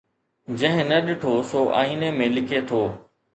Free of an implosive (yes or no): no